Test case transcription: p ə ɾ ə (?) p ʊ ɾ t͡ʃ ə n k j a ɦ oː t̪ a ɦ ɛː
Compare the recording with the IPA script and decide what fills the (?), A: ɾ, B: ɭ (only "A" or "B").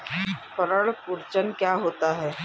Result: B